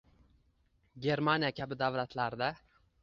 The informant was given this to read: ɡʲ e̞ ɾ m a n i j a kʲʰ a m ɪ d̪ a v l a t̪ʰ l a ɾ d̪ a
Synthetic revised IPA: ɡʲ e̞ ɾ m a n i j a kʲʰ a b ɪ d̪ a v l a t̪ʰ l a ɾ d̪ a